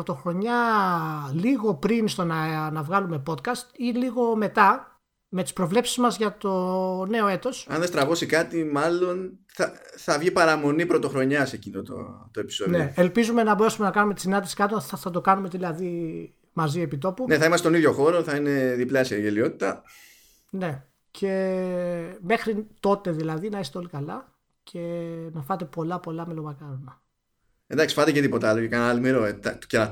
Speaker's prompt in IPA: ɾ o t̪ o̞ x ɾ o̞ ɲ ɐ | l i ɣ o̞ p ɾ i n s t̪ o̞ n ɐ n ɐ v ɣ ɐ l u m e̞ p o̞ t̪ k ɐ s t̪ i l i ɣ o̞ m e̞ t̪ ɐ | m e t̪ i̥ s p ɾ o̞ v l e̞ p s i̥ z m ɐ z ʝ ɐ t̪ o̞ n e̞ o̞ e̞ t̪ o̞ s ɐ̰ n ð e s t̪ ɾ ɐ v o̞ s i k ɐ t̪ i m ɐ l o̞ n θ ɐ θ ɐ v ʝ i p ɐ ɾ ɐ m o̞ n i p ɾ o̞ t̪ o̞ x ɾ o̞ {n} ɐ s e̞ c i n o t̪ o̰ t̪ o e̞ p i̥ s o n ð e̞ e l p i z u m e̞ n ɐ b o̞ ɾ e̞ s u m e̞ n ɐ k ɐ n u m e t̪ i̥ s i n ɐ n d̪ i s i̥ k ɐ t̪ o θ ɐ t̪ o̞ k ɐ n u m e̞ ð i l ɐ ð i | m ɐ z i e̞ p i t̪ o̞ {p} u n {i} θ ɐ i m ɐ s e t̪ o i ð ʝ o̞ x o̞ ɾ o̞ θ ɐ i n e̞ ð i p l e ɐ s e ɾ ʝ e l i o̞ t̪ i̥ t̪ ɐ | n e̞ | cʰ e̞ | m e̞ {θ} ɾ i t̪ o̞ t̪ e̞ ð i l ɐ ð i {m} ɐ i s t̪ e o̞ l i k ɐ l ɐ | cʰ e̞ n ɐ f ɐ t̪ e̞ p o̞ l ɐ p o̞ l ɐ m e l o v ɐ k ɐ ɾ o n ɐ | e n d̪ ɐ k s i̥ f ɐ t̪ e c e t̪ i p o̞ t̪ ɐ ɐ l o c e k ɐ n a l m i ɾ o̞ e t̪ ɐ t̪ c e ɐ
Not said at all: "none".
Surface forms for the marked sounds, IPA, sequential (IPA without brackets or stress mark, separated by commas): ɲ, p, e, x, n